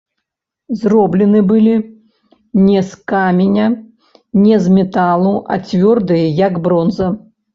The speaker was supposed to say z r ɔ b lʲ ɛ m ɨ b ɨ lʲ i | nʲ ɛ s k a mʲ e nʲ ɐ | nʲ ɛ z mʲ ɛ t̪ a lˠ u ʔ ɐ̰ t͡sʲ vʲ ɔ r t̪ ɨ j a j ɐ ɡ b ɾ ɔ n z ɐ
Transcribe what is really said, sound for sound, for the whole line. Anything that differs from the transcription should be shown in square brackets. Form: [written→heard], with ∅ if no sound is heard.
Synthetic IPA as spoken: z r ɔ b lʲ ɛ [m→n] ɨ b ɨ lʲ i | nʲ ɛ s k a mʲ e nʲ ɐ | nʲ ɛ z mʲ ɛ t̪ a lˠ u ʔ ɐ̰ t͡sʲ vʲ ɔ r [t̪→d̪] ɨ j [a→ɐ] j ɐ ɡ b ɾ ɔ n z ɐ